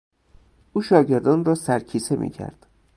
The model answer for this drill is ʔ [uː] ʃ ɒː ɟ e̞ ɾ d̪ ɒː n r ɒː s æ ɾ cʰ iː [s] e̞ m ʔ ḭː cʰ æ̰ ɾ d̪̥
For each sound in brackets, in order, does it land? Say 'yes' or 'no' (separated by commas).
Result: yes, yes